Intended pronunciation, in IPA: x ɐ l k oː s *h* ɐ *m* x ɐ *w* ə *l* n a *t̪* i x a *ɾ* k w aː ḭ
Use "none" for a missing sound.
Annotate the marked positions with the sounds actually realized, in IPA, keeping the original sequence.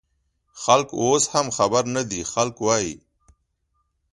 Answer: h, m, b, ɾ, d̪, l

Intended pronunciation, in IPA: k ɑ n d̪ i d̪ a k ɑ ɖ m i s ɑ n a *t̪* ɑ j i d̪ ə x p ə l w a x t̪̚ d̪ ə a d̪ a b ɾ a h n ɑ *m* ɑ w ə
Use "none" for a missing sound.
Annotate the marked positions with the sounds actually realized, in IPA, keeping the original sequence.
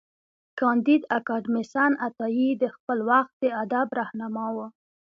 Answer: t̪, m

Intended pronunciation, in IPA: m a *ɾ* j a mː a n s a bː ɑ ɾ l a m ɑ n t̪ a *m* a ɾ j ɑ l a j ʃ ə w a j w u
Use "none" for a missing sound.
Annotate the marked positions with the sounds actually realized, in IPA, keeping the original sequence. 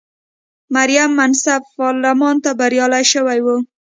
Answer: ɾ, b

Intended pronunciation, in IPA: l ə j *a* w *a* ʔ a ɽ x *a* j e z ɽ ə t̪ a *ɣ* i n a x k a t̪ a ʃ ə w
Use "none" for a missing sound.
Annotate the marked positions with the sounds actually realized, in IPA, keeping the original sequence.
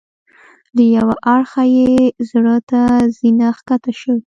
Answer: a, a, a, z

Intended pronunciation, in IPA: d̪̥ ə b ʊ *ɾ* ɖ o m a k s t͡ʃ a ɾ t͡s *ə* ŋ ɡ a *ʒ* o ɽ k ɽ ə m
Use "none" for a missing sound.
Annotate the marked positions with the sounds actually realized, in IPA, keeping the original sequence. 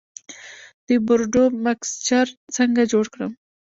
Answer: ɾ, ə, d͡ʒ

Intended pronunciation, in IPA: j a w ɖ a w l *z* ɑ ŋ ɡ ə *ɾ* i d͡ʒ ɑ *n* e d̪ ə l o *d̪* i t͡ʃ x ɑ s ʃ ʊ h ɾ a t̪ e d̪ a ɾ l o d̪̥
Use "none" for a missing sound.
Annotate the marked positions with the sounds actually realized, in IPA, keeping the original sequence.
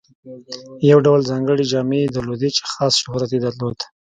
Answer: z, ɽ, m, d̪

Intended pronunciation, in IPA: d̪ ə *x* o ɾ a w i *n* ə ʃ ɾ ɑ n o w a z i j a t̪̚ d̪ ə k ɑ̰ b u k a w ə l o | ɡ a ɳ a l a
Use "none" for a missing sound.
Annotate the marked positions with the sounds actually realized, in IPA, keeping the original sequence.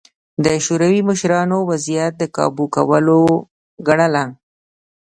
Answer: ʃ, m

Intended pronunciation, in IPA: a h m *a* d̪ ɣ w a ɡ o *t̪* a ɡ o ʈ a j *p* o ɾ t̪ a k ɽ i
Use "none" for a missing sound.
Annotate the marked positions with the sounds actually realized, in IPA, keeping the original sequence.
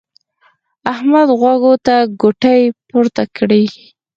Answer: a, t̪, p

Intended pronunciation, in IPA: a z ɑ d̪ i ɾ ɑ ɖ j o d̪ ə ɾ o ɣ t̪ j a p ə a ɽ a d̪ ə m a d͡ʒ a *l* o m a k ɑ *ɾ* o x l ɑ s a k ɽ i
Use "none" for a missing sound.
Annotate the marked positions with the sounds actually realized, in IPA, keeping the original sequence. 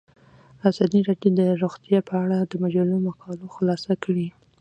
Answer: l, l

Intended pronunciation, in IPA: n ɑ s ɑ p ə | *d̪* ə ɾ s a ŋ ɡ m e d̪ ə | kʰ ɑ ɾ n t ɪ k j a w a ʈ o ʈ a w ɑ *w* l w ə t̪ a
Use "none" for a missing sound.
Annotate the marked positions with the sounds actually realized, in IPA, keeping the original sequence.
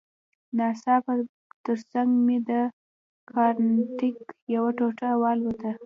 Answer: t̪, none

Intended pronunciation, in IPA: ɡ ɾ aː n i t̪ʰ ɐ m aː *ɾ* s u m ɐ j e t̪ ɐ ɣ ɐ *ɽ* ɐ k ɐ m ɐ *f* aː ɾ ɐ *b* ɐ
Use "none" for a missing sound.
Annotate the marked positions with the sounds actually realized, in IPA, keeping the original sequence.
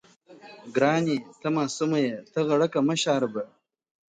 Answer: none, ɽ, ɕ, b

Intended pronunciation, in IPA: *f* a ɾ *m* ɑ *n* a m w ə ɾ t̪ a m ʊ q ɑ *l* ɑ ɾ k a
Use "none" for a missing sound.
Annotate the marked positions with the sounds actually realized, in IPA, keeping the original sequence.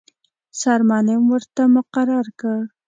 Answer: s, m, n, ɾ

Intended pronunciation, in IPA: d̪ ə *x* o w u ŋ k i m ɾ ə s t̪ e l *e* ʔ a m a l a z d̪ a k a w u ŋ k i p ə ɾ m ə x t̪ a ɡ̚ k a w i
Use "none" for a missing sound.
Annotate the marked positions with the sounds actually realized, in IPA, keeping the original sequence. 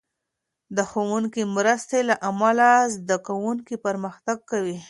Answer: x, a

